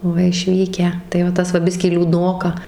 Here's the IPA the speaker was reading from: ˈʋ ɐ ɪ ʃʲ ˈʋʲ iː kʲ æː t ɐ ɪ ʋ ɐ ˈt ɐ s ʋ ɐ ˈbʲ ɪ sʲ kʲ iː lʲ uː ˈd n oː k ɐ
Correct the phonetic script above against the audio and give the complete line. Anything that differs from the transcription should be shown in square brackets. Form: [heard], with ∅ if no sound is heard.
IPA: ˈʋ ɐ ɪ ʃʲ ˈʋʲ iː kʲ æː t ɐ ɪ ʋ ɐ ˈt ɐ s ʋ ɐ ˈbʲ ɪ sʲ kʲ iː lʲ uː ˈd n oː k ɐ